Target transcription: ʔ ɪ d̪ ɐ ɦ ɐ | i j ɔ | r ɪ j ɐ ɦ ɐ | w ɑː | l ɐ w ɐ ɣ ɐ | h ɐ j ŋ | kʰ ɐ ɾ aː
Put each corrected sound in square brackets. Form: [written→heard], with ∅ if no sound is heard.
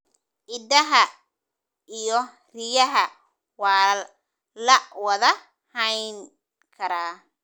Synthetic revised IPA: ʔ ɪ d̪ ɐ ɦ ɐ | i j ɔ | r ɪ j ɐ ɦ ɐ | w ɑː | l ɐ w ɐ [ɣ→ð] ɐ | h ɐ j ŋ | kʰ ɐ ɾ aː